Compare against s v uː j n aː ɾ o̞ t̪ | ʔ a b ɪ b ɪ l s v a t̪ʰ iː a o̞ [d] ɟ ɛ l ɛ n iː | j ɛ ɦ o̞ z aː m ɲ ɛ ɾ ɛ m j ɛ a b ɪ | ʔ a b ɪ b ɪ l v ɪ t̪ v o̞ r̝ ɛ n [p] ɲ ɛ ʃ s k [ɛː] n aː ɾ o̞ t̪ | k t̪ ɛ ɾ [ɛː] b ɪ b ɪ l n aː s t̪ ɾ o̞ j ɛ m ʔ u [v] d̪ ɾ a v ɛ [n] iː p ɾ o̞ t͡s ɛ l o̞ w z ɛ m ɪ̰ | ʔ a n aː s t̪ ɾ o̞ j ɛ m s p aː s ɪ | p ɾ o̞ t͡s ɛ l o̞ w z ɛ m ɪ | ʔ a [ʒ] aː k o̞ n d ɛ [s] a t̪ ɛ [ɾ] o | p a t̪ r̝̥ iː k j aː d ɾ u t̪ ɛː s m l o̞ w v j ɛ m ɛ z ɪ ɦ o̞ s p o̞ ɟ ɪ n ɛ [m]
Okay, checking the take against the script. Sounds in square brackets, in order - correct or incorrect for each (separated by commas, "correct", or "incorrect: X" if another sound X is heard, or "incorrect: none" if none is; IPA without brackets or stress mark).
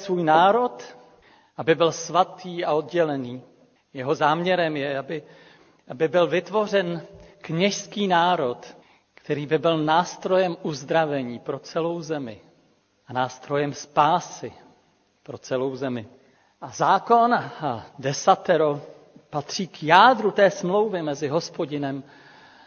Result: correct, incorrect: k, incorrect: iː, incorrect: iː, incorrect: z, incorrect: ɲ, incorrect: z, correct, correct, correct